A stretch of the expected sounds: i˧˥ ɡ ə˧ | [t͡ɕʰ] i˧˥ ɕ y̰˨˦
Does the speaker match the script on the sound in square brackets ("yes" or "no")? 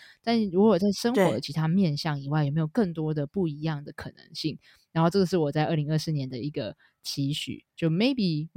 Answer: yes